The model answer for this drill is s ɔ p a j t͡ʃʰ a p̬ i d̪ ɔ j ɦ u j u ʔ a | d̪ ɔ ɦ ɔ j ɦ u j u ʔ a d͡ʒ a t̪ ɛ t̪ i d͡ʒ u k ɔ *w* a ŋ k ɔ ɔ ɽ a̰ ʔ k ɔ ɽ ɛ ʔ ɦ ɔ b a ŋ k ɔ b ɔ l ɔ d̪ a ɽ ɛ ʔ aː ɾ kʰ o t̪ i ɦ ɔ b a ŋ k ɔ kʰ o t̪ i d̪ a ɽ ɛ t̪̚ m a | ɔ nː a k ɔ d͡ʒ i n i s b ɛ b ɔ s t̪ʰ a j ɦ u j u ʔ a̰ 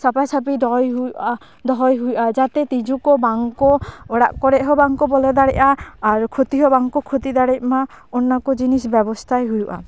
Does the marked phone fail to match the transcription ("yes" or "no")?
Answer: yes